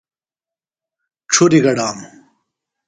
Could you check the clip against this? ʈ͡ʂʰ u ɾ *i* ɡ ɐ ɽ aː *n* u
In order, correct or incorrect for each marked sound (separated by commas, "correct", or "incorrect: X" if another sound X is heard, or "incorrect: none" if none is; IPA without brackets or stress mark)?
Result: correct, incorrect: m